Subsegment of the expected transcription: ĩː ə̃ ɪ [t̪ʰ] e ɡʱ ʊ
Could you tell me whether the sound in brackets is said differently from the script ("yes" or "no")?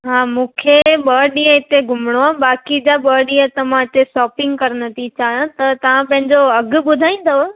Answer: yes